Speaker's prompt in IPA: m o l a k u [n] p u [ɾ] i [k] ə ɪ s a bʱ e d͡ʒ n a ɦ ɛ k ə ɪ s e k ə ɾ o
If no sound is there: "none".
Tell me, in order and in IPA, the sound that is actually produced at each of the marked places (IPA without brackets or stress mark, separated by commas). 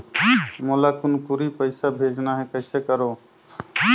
n, ɾ, p